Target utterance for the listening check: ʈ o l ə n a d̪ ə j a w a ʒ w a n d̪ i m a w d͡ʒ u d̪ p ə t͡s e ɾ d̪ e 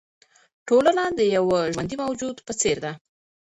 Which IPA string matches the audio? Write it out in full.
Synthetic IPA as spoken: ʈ o l ə n a d̪ ə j a w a ʒ w a n d̪ i m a w d͡ʒ u d̪ p ə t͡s e ɾ d̪ a